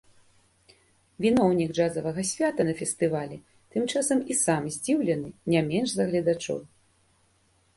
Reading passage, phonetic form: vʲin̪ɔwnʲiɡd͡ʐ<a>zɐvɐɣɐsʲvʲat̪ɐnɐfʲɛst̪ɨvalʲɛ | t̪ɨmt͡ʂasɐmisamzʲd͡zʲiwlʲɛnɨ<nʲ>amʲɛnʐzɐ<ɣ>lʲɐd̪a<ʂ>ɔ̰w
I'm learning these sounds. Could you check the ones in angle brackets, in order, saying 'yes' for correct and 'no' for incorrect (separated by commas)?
yes, yes, yes, no